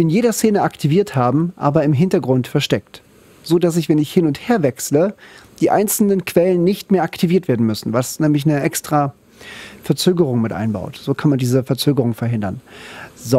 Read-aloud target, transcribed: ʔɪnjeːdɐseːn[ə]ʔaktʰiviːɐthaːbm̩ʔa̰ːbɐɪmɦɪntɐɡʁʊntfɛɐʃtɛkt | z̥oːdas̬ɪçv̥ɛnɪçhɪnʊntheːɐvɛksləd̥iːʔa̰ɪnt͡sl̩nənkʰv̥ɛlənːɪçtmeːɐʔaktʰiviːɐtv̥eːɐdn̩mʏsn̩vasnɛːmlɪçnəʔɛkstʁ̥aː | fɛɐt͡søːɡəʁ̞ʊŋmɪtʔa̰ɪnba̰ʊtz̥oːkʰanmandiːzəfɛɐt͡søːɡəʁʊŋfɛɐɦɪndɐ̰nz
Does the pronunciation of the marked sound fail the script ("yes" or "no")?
no